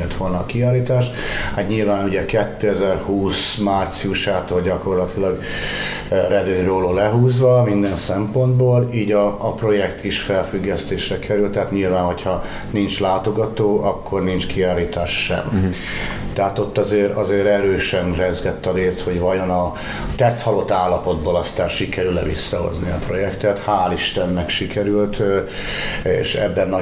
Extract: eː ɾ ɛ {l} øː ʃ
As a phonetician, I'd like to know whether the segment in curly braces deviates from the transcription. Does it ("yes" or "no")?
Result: yes